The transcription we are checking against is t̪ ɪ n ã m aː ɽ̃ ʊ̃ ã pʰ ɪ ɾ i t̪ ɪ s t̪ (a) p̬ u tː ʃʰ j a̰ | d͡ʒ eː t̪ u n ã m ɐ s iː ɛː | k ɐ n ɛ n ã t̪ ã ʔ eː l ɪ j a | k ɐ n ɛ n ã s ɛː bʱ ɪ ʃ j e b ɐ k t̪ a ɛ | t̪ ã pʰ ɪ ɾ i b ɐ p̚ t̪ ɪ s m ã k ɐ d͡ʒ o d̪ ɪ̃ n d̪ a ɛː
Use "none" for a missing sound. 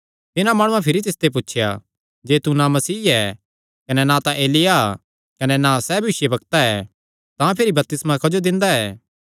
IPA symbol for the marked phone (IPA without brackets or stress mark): e